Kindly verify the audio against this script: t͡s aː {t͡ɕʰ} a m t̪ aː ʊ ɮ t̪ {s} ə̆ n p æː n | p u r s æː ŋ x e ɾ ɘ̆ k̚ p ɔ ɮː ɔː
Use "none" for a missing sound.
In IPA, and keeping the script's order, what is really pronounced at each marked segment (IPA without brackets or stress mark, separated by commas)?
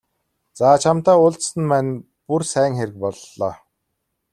t͡ɕʰ, s